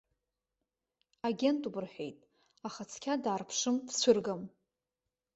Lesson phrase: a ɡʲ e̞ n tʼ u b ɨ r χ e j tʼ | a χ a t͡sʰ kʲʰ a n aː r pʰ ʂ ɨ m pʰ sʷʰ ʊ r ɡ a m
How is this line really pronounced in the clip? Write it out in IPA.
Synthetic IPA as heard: a ɡʲ e̞ n tʼ u b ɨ r ħ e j tʼ | a χ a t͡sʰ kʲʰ a d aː r pʰ ʂ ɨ m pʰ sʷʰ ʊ r ɡ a m